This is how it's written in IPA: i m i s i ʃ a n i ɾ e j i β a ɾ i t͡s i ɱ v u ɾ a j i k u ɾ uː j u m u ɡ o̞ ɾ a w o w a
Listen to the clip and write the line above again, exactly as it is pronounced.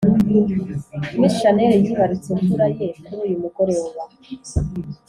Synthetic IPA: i m i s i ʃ a n e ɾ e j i β a ɾ i t͡s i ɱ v u ɾ a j e k u ɾ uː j u m u ɡ o̞ ɾ e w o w a